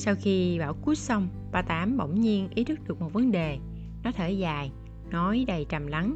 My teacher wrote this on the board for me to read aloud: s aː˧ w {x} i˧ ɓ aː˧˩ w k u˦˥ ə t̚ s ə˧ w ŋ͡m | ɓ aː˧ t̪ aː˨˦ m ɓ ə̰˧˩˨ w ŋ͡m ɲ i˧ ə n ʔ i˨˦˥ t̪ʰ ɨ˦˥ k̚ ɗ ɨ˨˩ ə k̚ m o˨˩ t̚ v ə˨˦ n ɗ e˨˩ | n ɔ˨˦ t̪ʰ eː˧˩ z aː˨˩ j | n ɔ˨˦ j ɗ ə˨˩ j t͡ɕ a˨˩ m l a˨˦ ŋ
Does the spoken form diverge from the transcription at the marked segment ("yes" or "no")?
no